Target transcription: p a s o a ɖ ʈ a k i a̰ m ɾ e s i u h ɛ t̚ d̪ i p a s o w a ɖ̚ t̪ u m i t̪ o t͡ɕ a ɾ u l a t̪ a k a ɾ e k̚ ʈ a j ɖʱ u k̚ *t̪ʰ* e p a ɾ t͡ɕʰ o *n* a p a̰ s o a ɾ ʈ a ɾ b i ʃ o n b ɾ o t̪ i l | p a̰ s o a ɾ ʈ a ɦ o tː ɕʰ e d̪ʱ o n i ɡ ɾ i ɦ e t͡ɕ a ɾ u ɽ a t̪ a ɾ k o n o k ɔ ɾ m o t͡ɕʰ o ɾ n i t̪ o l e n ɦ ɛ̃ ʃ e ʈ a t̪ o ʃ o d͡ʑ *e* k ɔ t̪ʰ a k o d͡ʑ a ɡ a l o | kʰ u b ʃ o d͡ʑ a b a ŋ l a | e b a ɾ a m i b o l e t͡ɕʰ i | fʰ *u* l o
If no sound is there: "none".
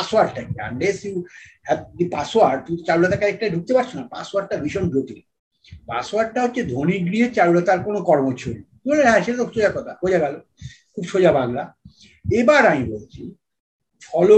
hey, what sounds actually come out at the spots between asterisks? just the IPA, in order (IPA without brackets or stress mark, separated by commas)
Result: t̪, n, a, ɔ